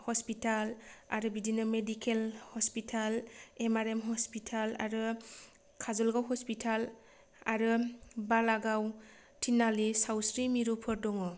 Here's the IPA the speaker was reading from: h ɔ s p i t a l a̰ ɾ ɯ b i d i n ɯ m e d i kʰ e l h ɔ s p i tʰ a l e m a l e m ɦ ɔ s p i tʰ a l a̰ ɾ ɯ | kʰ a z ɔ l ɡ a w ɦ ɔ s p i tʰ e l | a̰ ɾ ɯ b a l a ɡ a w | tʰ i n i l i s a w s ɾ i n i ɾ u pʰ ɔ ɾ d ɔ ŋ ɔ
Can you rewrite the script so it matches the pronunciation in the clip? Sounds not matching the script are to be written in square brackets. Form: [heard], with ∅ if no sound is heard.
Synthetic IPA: h ɔ s p i t a l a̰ ɾ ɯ b i d i n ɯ m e d i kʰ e l h ɔ s p i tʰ a l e m a [ɾ] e m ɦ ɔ s p i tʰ a l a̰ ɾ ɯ | kʰ a z ɔ l ɡ a w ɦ ɔ s p i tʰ [a] l | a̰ ɾ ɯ b a l a ɡ a w | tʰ i n [a] l i s a w s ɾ i [m] i ɾ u pʰ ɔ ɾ d ɔ ŋ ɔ

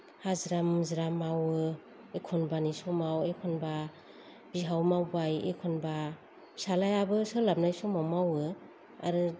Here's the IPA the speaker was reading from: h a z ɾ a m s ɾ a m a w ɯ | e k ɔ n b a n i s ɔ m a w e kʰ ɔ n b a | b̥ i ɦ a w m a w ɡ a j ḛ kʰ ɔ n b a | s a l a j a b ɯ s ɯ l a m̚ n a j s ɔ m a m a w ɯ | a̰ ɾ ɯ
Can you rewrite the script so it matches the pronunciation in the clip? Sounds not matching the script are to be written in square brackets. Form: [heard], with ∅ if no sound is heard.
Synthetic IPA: h a z ɾ a m [z] ɾ a m a w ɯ | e [kʰ] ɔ n b a n i s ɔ m a w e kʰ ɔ n b a | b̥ i ɦ a w m a w [b] a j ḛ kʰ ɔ n b a | s a l a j a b ɯ s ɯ l a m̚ n a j s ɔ m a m a w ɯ | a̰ ɾ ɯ

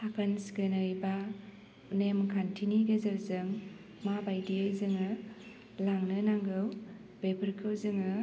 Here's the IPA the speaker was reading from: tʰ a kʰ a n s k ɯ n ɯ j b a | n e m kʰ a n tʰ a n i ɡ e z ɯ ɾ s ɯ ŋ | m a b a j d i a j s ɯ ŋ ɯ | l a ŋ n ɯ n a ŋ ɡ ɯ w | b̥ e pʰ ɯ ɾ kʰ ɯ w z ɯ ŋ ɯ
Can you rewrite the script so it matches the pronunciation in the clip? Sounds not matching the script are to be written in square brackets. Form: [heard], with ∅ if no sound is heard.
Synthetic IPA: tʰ a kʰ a n s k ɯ n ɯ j b a | n e m kʰ a n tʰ [i] n i ɡ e z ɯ ɾ [z] ɯ ŋ | m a b a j d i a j [z] ɯ ŋ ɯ | l a ŋ n ɯ n a ŋ ɡ ɯ w | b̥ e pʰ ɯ ɾ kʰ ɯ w z ɯ ŋ ɯ

